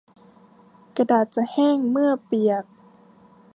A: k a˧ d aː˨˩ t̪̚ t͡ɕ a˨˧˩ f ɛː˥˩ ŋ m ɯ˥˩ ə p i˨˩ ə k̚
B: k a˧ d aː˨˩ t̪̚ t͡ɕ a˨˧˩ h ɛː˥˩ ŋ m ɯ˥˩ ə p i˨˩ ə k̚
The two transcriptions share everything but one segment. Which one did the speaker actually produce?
B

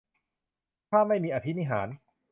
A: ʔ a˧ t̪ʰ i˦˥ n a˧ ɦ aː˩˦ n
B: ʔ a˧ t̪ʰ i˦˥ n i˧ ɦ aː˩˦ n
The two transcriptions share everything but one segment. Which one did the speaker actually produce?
B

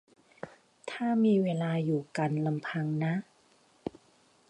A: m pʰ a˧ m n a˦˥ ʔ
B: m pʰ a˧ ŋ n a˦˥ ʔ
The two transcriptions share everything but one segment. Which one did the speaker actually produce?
B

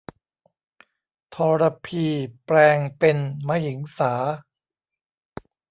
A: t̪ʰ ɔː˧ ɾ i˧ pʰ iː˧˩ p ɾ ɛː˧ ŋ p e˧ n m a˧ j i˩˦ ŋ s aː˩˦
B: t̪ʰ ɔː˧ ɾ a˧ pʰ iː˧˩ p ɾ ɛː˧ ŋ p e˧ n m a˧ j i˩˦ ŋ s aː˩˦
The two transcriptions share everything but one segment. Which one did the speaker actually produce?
B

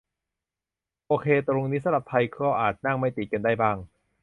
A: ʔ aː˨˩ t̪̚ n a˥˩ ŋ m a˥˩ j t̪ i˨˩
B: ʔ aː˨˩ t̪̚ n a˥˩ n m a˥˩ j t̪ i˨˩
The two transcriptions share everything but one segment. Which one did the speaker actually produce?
A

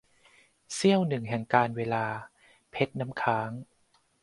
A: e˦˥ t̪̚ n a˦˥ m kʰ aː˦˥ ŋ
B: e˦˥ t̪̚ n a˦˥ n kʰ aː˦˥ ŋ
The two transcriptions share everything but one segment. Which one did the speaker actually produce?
A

